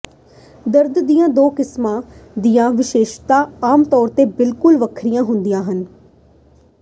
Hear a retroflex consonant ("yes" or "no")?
no